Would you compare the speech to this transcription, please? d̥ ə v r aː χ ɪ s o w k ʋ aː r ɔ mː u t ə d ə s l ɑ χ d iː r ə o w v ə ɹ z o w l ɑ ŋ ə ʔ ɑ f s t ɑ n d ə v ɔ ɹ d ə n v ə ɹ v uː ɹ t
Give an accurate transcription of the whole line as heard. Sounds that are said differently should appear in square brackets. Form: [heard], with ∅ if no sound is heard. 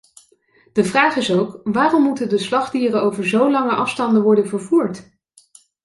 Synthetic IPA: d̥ ə v r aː χ ɪ s o w k ʋ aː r ɔ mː u t ə d ə s l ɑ χ d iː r ə o w v ə ɹ z o w l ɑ ŋ ə ʔ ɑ f s t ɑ n d ə [ʋ] ɔ ɹ d ə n v ə ɹ v uː ɹ t